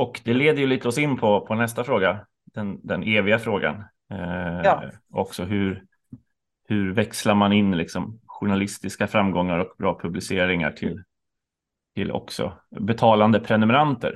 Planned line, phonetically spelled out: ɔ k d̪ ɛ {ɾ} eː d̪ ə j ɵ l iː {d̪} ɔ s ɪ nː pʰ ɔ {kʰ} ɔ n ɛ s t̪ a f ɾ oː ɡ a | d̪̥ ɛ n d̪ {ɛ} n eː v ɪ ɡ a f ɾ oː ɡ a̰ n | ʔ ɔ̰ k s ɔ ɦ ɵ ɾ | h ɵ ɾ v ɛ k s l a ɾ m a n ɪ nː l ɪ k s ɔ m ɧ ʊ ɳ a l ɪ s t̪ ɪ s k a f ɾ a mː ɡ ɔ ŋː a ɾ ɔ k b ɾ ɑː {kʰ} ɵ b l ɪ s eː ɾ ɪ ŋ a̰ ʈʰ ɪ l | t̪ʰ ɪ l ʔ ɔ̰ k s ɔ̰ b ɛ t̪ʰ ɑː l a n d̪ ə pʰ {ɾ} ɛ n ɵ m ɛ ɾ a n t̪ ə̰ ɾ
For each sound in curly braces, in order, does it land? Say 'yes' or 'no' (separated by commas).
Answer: no, no, no, yes, no, yes